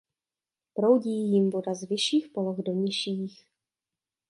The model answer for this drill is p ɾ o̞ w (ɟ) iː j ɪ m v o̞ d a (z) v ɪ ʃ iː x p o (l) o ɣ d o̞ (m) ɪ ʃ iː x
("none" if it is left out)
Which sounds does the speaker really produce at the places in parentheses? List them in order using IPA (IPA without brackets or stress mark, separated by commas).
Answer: ɟ, z, l, ɲ